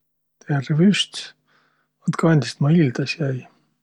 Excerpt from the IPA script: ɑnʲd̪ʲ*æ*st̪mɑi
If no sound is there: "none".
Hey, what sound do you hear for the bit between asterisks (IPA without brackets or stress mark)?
i